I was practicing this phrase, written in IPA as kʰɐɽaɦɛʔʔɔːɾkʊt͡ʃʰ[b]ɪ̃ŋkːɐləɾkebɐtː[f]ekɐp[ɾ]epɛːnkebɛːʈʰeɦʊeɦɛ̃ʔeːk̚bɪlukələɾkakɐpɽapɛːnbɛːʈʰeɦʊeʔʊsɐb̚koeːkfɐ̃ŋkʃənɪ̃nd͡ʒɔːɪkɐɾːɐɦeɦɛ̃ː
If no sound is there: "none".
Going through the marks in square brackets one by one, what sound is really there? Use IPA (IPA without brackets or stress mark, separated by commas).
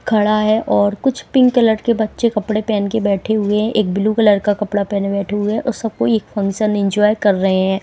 p, ʃ, ɽ